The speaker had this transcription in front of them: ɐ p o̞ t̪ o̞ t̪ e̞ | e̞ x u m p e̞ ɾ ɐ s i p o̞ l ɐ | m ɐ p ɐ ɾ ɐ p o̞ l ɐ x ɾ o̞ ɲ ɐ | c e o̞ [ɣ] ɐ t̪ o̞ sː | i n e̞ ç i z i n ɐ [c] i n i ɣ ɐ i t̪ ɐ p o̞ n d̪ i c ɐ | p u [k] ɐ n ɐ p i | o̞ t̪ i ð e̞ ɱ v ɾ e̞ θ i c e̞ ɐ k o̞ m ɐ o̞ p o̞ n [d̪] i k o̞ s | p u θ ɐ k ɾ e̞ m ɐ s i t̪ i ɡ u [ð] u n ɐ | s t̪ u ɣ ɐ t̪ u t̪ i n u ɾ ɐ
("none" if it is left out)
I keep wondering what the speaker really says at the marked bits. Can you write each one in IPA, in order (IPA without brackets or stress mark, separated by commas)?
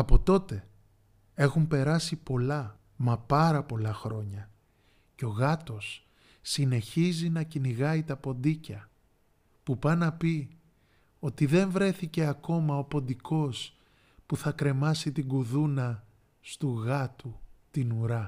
ɣ, c, p, d̪, ð